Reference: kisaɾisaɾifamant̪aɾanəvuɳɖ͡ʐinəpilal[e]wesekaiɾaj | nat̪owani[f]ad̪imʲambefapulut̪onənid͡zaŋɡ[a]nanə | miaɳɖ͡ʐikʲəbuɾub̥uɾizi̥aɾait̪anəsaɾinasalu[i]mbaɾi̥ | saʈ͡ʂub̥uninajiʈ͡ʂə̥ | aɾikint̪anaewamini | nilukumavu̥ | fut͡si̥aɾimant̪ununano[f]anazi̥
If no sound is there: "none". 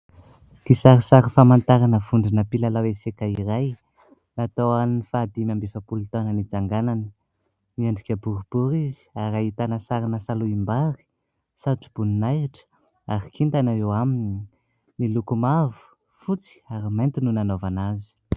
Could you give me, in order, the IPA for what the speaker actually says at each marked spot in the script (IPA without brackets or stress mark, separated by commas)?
a, f, a, i, v